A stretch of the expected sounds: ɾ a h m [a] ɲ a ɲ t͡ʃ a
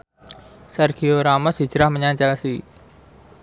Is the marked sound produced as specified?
no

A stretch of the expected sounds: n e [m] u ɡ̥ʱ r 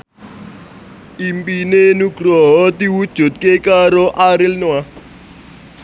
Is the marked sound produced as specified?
no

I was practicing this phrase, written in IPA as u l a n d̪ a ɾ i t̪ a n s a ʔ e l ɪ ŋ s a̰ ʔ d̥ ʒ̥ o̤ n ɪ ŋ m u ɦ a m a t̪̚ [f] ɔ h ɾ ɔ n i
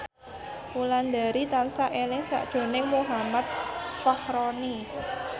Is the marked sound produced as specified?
yes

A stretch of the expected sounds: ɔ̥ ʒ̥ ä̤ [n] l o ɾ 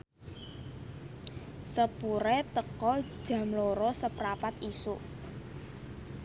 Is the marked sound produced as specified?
no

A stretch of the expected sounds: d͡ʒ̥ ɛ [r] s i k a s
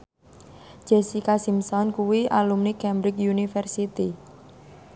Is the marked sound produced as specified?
no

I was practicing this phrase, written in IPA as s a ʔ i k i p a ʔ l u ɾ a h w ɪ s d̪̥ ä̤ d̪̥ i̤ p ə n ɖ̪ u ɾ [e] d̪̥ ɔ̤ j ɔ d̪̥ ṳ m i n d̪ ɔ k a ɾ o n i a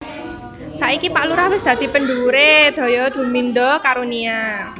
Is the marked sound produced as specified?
yes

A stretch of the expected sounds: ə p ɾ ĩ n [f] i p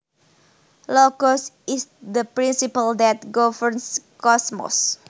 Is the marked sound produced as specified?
no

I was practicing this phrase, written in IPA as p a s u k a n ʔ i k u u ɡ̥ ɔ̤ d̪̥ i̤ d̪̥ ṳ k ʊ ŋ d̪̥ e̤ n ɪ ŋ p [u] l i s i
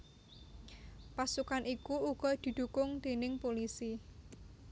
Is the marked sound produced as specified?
no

